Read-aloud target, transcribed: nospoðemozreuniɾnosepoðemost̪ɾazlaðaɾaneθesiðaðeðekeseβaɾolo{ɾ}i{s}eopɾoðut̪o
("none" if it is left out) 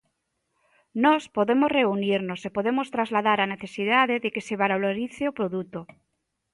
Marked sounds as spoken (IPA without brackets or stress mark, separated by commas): ɾ, θ